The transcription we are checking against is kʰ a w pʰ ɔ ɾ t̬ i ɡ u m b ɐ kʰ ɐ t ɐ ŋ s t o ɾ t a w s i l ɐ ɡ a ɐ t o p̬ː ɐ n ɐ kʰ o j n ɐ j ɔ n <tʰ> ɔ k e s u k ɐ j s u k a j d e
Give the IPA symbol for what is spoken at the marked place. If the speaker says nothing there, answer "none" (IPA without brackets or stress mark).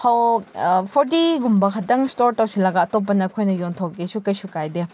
tʰ